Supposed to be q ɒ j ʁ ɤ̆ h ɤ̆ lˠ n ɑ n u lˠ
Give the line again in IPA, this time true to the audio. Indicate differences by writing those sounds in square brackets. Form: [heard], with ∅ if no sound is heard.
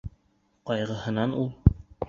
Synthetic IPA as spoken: q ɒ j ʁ ɤ̆ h ɤ̆ [∅] n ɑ n u lˠ